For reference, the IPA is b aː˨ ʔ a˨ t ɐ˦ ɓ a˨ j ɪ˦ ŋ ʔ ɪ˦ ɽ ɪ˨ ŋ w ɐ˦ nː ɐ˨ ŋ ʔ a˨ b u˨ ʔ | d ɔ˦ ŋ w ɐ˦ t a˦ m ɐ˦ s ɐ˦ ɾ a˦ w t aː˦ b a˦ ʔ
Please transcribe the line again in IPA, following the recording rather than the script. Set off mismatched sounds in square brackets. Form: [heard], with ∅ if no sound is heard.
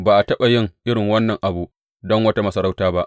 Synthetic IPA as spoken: b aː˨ ʔ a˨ t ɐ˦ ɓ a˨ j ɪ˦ ŋ ʔ ɪ˦ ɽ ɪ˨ ŋ w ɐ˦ nː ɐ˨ ŋ ʔ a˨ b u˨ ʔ | d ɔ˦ ŋ w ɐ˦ t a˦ m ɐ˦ s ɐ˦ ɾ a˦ w t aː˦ b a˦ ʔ

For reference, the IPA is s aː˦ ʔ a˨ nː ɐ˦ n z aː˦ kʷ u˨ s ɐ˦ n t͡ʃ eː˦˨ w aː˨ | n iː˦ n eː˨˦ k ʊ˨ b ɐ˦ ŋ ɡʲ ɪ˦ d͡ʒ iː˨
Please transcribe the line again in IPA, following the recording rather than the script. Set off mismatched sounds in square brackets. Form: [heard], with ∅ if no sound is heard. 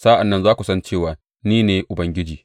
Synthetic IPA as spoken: s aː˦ ʔ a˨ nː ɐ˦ n z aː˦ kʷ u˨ s ɐ˦ n t͡ʃ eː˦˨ w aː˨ | n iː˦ n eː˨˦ [ʔ] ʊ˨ b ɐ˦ ŋ ɡʲ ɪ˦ d͡ʒ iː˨

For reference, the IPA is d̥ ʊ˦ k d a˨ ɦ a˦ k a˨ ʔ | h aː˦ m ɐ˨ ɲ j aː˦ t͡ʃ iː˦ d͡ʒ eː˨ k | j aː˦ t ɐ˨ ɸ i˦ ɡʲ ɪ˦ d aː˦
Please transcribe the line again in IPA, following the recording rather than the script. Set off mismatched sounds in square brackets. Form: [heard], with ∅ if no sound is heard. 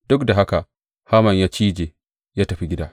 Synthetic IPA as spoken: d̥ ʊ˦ k d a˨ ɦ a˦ k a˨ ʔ | h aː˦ m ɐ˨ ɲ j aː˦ t͡ʃ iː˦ d͡ʒ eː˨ [∅] | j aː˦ t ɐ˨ ɸ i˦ ɡʲ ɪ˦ d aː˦

